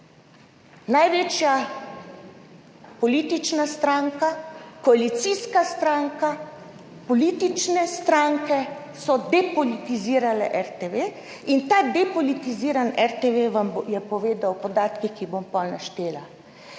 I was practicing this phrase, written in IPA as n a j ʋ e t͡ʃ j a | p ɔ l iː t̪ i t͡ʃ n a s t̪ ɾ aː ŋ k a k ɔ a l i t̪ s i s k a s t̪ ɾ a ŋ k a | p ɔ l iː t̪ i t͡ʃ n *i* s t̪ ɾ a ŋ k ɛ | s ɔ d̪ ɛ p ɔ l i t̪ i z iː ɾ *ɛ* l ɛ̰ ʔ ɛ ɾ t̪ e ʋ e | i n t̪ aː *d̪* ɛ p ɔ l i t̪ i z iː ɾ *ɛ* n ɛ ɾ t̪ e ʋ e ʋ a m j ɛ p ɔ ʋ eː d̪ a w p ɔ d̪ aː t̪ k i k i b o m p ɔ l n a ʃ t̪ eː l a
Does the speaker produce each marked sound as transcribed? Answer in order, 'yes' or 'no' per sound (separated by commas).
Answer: no, no, yes, no